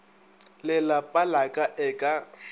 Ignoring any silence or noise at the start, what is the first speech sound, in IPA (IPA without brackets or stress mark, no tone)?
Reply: l